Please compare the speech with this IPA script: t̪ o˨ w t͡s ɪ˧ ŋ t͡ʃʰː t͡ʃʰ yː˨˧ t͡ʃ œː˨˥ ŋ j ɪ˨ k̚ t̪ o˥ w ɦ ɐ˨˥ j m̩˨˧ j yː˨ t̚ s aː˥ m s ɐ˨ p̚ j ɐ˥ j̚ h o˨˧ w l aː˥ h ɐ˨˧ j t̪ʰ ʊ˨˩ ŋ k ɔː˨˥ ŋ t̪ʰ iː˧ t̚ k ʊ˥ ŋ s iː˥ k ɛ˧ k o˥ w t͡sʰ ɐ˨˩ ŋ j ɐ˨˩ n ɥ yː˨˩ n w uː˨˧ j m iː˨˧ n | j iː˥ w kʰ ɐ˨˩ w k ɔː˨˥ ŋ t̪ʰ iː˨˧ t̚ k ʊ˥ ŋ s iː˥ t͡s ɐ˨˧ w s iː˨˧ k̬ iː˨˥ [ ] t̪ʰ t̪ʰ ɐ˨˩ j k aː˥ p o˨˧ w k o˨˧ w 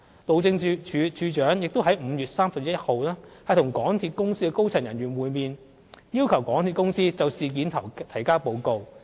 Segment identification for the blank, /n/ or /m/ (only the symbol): n